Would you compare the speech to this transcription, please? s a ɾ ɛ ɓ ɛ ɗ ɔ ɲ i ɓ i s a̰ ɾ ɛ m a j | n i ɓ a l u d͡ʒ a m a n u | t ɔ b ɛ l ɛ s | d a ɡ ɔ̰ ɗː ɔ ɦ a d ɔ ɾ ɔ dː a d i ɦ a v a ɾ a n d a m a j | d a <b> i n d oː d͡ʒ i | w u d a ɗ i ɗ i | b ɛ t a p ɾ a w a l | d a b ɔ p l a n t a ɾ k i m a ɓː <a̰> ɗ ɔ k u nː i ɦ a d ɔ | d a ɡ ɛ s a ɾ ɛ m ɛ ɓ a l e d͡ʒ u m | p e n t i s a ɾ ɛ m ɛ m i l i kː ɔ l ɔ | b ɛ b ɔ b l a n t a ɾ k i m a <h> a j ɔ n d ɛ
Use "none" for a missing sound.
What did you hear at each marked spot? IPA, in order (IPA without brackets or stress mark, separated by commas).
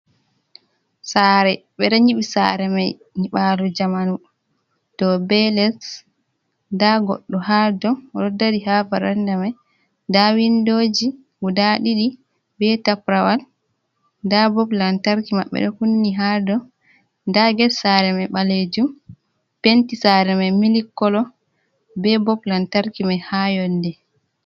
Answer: w, ɛ̰, h